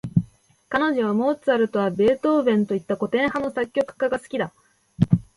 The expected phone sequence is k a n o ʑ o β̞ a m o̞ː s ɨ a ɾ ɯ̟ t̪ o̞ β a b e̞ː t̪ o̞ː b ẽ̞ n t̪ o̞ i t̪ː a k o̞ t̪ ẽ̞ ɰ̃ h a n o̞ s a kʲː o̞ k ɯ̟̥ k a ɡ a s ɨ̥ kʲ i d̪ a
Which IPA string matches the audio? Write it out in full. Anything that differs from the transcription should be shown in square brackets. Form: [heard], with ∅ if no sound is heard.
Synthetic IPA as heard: k a n o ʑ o β̞ a m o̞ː [t͡s] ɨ a ɾ ɯ̟ t̪ o̞ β a b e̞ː t̪ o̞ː b ẽ̞ n t̪ o̞ i t̪ː a k o̞ t̪ ẽ̞ ɰ̃ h a n o̞ s a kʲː o̞ k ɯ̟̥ k a ɡ a s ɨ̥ kʲ i d̪ a